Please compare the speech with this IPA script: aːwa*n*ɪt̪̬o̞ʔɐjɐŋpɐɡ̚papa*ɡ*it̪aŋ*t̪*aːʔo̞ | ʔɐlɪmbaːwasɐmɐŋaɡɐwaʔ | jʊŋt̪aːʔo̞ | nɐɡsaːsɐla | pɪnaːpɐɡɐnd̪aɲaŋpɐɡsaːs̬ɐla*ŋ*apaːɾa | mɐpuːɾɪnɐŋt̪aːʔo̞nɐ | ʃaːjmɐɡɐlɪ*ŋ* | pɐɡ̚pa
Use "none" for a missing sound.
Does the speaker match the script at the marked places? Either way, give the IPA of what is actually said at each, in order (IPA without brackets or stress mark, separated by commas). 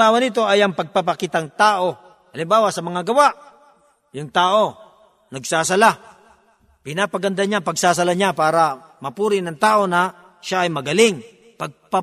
n, k, t̪, ɲ, ŋ